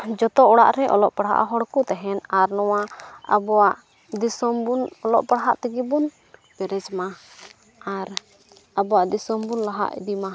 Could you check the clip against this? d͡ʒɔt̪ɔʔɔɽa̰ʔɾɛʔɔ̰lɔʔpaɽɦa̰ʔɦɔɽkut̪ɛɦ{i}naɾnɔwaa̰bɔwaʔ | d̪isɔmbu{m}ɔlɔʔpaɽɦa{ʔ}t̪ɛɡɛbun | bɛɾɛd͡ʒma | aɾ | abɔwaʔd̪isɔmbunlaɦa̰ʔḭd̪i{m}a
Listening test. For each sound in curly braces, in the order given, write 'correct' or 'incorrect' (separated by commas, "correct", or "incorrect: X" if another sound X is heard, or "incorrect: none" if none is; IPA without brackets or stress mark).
incorrect: ɛ, incorrect: n, correct, correct